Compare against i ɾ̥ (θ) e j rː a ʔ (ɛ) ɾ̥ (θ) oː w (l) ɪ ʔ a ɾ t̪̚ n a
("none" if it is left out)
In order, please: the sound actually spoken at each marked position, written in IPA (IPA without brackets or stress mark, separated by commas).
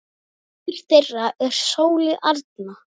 θ, ɛ, s, l